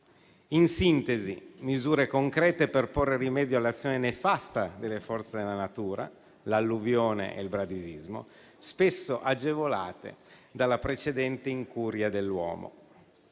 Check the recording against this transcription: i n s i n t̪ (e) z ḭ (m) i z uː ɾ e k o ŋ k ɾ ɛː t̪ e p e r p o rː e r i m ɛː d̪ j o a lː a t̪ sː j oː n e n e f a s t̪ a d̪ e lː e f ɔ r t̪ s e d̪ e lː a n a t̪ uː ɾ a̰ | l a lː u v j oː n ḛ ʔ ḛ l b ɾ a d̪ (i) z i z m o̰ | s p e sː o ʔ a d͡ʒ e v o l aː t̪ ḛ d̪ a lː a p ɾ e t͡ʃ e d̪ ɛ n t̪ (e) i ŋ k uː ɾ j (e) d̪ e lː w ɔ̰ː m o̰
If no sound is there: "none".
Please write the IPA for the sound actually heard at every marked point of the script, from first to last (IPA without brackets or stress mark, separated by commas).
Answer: e, m, i, e, a